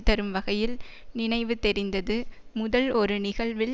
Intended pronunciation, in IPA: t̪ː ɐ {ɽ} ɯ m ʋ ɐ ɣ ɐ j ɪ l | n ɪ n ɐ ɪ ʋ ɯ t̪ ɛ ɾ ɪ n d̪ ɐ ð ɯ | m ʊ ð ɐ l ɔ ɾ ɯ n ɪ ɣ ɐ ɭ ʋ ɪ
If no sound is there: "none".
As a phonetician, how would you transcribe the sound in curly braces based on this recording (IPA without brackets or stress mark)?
ɾ